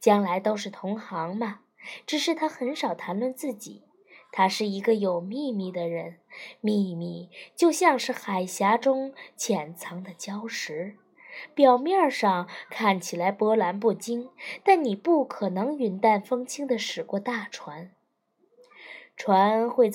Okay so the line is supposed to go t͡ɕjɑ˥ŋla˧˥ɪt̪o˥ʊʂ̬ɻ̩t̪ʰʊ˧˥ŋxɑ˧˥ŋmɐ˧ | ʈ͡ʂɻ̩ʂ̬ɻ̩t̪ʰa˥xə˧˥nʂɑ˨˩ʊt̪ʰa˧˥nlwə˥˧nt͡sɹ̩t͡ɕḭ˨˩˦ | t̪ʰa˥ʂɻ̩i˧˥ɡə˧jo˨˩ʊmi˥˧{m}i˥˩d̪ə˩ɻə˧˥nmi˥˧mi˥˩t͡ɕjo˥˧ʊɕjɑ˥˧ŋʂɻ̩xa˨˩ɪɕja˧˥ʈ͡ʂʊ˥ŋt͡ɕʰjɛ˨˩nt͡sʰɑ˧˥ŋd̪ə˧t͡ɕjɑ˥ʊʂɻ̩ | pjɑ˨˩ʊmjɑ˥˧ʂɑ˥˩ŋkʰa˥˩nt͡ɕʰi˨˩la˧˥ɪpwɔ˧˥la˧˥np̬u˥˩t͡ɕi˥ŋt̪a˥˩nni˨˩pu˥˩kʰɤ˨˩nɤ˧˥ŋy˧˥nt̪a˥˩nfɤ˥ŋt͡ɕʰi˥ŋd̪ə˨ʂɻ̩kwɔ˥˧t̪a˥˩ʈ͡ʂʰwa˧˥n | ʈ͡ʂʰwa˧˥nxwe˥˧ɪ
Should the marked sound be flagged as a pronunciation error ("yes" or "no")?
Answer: no